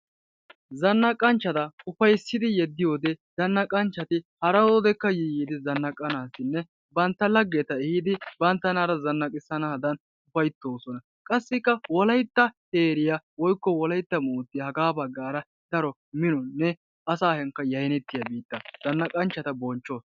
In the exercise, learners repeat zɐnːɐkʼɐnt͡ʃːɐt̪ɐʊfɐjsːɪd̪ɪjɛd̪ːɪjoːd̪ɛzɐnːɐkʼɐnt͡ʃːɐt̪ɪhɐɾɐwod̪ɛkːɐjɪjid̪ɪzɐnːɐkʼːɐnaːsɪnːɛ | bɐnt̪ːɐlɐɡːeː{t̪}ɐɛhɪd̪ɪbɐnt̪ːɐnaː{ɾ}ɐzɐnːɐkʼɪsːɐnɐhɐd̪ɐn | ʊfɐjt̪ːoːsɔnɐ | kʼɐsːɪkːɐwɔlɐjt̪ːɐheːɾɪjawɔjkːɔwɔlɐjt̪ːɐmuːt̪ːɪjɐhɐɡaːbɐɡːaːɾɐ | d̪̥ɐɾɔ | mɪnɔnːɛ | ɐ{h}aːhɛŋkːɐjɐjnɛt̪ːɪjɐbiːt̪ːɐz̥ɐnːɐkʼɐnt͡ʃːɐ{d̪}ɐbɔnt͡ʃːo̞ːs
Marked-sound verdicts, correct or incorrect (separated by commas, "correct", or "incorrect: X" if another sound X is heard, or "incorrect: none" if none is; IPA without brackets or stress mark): correct, correct, incorrect: s, incorrect: t̪